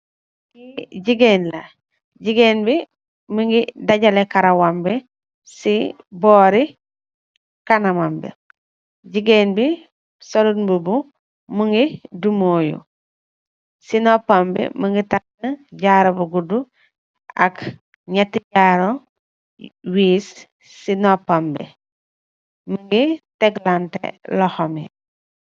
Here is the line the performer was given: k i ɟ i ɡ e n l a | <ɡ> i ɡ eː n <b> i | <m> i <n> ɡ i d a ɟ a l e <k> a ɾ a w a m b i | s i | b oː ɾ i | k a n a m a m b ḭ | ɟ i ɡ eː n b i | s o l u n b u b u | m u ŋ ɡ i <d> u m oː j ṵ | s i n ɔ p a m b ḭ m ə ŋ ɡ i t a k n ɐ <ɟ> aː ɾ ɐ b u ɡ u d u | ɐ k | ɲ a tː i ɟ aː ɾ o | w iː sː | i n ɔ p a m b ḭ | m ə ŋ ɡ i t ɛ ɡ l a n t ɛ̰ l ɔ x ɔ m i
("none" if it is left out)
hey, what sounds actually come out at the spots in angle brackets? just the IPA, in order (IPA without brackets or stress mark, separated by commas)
ɟ, b, m, ŋ, k, d, ɟ